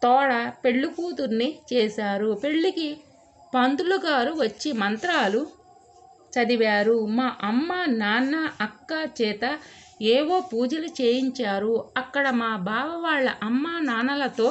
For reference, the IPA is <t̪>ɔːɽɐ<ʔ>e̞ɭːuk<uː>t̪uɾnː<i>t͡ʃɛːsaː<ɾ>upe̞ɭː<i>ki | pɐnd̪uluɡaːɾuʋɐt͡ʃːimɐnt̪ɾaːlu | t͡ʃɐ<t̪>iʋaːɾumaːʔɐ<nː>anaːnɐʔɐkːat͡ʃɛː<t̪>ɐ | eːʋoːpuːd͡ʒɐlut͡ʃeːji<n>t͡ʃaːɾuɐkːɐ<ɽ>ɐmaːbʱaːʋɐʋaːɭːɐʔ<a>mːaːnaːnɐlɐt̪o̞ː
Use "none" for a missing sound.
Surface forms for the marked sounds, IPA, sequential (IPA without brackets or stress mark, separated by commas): t̪, p, uː, i, ɾ, i, d̪, mː, t̪, ɲ, ɽ, ɐ